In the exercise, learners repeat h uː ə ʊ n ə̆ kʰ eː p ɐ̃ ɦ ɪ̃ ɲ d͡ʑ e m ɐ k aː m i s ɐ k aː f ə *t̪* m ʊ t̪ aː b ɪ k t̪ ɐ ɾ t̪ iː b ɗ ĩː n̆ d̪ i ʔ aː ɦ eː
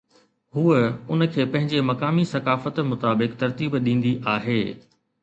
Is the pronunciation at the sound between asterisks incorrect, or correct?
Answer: correct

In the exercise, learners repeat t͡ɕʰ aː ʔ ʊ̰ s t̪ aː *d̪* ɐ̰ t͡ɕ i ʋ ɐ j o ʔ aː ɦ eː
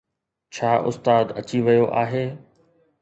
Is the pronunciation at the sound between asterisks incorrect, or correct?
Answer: correct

